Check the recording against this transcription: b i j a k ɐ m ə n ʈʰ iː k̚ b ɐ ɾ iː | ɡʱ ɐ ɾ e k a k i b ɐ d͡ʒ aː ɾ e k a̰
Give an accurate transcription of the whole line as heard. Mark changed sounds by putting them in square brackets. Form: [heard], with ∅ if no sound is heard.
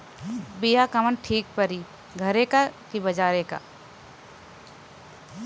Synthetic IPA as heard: b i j a k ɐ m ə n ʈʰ iː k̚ [p] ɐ ɾ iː | ɡʱ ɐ ɾ e k a k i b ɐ d͡ʒ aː ɾ e k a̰